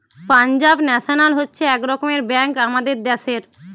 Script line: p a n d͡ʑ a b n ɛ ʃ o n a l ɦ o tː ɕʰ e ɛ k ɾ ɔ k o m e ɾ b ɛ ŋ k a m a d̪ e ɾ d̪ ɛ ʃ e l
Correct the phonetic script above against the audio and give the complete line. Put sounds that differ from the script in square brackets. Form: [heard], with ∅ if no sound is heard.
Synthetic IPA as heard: p a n d͡ʑ a b n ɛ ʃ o n a l ɦ o tː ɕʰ e ɛ k ɾ ɔ k o m e ɾ b ɛ ŋ k a m a d̪ e ɾ d̪ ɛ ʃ e [ɾ]